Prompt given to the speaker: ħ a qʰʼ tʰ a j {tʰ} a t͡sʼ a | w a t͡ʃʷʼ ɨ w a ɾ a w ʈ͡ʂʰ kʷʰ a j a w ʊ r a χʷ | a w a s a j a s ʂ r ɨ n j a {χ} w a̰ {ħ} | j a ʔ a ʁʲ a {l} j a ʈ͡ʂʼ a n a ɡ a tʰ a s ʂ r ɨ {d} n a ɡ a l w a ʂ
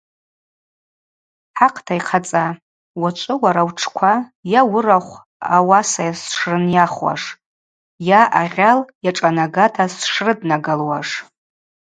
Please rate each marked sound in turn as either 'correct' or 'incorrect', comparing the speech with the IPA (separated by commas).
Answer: incorrect, correct, incorrect, correct, correct